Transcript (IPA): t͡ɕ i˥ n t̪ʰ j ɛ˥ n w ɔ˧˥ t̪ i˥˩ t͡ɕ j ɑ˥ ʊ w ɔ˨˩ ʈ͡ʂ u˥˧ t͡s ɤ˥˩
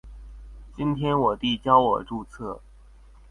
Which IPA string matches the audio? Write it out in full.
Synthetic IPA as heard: t͡ɕ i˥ n t̪ʰ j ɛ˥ n w ɔ˨˩ t̪ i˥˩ t͡ɕ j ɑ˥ ʊ w ɔ˨˩ ʈ͡ʂ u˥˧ t͡sʰ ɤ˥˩